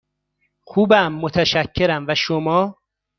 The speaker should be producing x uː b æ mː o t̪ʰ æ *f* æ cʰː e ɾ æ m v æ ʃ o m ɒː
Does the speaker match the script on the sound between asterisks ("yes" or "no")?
no